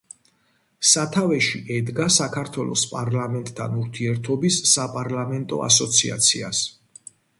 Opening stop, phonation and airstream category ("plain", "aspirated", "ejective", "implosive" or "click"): aspirated